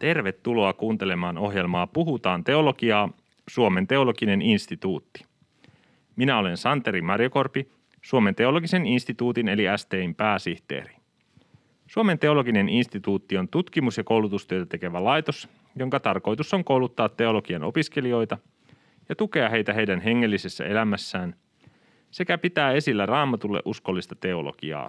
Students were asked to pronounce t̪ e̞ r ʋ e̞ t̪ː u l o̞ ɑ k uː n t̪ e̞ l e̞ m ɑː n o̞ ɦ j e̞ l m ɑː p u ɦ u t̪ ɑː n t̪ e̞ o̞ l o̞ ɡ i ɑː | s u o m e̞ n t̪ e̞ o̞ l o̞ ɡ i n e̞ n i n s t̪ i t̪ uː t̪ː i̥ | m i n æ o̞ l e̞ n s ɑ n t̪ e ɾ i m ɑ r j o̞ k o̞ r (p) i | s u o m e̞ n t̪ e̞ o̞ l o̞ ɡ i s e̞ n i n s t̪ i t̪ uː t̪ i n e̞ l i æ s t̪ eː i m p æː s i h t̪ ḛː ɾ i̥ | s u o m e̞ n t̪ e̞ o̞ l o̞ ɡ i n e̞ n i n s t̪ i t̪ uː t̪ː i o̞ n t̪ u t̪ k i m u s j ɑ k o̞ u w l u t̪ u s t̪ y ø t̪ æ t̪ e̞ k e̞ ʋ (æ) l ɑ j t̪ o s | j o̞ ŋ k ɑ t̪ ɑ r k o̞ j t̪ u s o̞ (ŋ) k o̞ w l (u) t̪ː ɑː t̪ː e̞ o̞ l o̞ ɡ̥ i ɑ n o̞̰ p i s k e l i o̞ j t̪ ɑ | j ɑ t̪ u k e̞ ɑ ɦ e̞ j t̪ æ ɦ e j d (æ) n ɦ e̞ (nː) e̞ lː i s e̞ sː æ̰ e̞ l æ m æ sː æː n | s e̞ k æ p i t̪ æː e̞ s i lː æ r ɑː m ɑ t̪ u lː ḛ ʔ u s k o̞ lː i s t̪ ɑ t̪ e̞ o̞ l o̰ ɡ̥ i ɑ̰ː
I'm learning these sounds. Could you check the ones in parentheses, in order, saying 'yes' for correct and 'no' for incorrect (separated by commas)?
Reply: yes, yes, yes, yes, yes, no